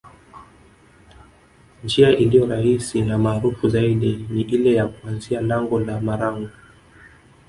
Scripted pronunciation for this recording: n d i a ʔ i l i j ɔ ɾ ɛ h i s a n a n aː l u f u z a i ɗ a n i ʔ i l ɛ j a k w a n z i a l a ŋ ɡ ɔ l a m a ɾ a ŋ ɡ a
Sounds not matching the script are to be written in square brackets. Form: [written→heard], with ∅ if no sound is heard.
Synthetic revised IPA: n [d→d͡ʒ] i a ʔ i l i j ɔ ɾ [ɛ→a] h i s [a→i] n a [n→m] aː [l→ɾ] u f u z a i ɗ [a→i] n i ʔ i l ɛ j a k [w→u] a n z i a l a ŋ ɡ ɔ l a m a ɾ a ŋ ɡ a